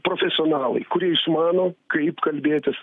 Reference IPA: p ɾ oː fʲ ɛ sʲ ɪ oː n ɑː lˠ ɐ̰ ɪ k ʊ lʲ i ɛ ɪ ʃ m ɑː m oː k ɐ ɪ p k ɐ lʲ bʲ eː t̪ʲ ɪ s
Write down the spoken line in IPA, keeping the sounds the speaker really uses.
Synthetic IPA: p ɾ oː fʲ ɛ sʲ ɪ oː n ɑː lˠ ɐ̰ ɪ k ʊ ɾʲ i ɛ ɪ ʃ m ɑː n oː k ɐ ɪ p k ɐ lʲ bʲ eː t̪ʲ ɪ s

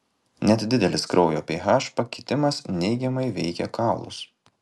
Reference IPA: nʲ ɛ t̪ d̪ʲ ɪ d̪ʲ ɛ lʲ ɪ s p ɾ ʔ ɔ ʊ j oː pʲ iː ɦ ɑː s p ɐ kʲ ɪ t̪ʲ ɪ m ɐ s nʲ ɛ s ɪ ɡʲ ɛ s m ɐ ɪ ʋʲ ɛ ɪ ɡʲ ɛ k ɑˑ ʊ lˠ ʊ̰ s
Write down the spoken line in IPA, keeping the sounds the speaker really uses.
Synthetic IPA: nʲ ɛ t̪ d̪ʲ ɪ d̪ʲ ɛ lʲ ɪ s k ɾ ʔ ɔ ʊ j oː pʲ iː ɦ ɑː ʃ p ɐ kʲ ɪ t̪ʲ ɪ m ɐ s nʲ ɛ ɪ ɡʲ ɛ m ɐ ɪ ʋʲ ɛ ɪ kʲ ɛ k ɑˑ ʊ lˠ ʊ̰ s

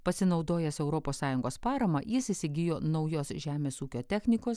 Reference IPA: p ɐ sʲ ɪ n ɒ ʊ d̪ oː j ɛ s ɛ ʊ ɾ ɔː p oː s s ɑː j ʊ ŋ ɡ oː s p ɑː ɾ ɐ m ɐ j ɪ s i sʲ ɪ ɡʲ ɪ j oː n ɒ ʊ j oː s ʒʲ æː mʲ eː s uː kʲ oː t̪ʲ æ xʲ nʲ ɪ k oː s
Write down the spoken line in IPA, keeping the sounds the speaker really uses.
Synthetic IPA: p ɐ sʲ ɪ n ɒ ʊ d̪ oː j ɛ s ɛ ʊ ɾ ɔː p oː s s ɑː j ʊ ŋ ɡ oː s p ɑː ɾ ɐ m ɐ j ɪ s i sʲ ɪ ɡʲ ɪ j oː n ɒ ʊ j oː s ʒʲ æː mʲ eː s uː kʲ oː t̪ʲ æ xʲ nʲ ɪ k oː s

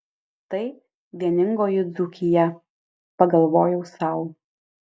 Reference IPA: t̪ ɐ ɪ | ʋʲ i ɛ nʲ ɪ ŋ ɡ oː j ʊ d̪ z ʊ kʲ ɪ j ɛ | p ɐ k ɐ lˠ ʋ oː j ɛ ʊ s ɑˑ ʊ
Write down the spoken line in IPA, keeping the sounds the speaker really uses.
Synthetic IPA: t̪ ɐ ɪ | ʋʲ i ɛ nʲ ɪ ŋ ɡ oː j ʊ d̪ z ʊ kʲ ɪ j ɛ | p ɐ ɡ ɐ lˠ ʋ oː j ɛ ʊ s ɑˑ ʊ

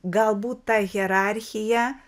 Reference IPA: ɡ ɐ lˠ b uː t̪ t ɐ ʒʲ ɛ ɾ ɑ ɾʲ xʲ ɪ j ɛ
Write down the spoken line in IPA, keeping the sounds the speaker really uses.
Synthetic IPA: ɡ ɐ lˠ b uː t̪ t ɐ ɣʲ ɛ ɾ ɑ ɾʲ xʲ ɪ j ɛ

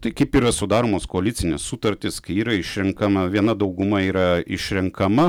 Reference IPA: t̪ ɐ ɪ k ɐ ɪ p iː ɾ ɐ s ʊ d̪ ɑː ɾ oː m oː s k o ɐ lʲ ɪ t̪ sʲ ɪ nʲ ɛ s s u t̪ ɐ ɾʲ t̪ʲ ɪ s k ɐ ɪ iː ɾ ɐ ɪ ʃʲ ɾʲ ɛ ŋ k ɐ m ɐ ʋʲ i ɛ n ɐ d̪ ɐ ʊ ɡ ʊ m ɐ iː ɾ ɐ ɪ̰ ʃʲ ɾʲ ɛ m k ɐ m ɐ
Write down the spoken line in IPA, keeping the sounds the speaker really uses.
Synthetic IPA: t̪ ɐ ɪ k ɐ ɪ p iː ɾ ɐ s ʊ d̪ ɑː ɾ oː m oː s k o ɐ lʲ ɪ t̪ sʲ ɪ nʲ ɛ s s u t̪ ɐ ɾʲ t̪ʲ ɪ s k ɐ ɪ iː ɾ ɐ ɪ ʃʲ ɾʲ ɛ ŋ k ɐ m ɐ ʋʲ i ɛ n ɐ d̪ ɐ ʊ ɡ ʊ m ɐ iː ɾ ɐ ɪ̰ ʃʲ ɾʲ ɛ ŋ k ɐ m ɐ

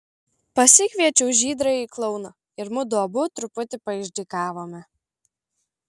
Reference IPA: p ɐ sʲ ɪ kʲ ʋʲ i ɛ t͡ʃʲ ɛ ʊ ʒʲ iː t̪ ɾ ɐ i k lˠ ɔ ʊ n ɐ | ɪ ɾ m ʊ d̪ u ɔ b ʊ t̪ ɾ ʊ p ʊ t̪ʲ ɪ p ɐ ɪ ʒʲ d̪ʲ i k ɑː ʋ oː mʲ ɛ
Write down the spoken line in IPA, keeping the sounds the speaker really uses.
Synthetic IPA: p ɐ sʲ ɪ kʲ ʋʲ i ɛ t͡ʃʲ ɛ ʊ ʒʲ iː d̪ ɾ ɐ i k lˠ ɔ ʊ n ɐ | ɪ ɾ m ʊ d̪ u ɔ b ʊ t̪ ɾ ʊ p ʊ t̪ʲ ɪ p ɐ ɪ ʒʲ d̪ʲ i k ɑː ʋ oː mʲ ɛ

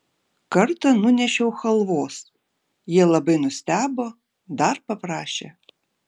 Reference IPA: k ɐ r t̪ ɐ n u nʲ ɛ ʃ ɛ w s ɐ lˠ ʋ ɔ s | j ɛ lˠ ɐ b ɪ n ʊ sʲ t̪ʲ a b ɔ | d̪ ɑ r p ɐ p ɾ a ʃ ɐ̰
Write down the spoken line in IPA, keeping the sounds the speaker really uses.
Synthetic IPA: k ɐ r t̪ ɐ n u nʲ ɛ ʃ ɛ w x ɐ lˠ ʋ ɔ s | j ɛ lˠ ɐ b ɪ n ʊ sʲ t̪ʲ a b ɔ | d̪ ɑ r p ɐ p ɾ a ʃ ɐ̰

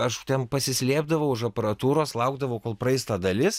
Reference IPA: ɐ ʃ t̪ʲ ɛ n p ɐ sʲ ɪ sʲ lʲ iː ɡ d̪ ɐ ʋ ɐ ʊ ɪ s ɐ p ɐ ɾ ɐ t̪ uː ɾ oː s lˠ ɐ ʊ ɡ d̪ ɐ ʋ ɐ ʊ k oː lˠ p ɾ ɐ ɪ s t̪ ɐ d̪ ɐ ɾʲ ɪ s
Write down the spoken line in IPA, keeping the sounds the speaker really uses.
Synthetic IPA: ɐ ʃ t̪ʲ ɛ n p ɐ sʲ ɪ sʲ lʲ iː b d̪ ɐ ʋ ɐ ʊ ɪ ʃ ɐ p ɐ ɾ ɐ t̪ uː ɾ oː s lˠ ɐ ʊ ɡ d̪ ɐ ʋ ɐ ʊ k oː lˠ p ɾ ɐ ɪ s t̪ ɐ d̪ ɐ lʲ ɪ s

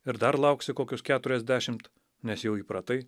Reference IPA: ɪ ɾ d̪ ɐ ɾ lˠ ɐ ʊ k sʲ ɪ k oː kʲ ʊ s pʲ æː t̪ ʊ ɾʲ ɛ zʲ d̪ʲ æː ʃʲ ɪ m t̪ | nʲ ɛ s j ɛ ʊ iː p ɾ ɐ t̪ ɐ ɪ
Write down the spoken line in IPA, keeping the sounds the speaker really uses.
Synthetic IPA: ɪ ɾ d̪ ɐ ɾ lˠ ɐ ʊ k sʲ ɪ k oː kʲ ʊ s kʲ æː t̪ ʊ ɾʲ ɛ zʲ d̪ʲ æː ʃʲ ɪ m t̪ | nʲ ɛ s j ɛ ʊ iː p ɾ ɐ t̪ ɐ ɪ

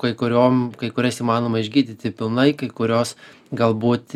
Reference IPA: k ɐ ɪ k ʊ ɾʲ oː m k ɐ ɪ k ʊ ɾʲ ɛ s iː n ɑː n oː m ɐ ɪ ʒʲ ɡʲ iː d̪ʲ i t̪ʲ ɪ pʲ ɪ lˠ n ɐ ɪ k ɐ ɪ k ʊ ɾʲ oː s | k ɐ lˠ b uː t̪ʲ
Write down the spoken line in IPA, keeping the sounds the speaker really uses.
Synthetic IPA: k ɐ ɪ k ʊ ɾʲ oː m k ɐ ɪ k ʊ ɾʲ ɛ s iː m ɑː n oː m ɐ ɪ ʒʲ ɡʲ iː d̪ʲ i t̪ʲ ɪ pʲ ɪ lˠ n ɐ ɪ k ɐ ɪ k ʊ ɾʲ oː s | ɡ ɐ lˠ b uː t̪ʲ

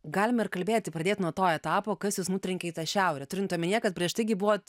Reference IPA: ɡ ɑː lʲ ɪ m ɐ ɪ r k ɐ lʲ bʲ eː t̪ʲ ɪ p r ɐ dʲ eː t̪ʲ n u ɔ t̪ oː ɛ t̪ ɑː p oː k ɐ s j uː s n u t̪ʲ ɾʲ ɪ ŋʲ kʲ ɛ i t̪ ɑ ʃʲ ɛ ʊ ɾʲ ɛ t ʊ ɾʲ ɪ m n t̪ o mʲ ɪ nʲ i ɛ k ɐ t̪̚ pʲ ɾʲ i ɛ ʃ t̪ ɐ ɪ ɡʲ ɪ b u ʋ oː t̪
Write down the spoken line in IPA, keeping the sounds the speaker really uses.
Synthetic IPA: ɡ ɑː lʲ ɪ m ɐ ɪ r k ɐ lʲ bʲ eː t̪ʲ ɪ p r ɐ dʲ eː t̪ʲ n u ɔ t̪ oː ɛ t̪ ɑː p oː k ɐ s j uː s n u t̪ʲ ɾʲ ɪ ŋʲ kʲ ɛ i t̪ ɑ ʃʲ ɛ ʊ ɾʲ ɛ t ʊ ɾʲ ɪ n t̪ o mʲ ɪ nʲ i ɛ k ɐ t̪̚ pʲ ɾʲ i ɛ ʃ t̪ ɐ ɪ ɡʲ ɪ b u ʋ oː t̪

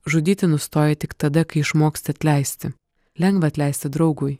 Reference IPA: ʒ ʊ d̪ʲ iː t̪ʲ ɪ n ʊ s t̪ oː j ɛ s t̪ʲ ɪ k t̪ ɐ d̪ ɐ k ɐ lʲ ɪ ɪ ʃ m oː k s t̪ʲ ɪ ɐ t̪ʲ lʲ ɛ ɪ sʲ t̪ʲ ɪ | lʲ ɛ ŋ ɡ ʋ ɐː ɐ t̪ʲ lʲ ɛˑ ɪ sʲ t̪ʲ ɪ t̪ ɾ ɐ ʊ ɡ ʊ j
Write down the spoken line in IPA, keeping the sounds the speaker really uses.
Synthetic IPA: ʒ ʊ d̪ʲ iː t̪ʲ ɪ n ʊ s t̪ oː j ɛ t̪ʲ ɪ k t̪ ɐ d̪ ɐ k ɐ ɪ ɪ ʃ m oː k s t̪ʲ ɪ ɐ t̪ʲ lʲ ɛ ɪ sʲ t̪ʲ ɪ | lʲ ɛ ŋ ɡ ʋ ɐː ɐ t̪ʲ lʲ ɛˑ ɪ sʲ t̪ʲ ɪ d̪ ɾ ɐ ʊ ɡ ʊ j

